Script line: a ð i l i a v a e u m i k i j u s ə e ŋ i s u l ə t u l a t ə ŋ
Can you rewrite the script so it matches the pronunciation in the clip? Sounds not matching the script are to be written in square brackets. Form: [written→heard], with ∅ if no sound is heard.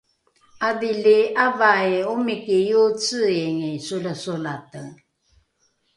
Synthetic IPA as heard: a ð i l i a v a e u m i k i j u [s→t͡s] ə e ŋ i s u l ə [t→s] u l a t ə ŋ